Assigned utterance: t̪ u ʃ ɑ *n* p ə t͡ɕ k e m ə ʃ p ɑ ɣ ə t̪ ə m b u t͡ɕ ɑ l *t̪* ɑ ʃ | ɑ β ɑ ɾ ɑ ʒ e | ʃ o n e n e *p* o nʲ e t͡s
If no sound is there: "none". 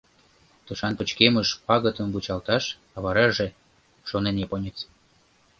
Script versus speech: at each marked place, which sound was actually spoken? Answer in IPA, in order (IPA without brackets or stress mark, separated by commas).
n, t̪, p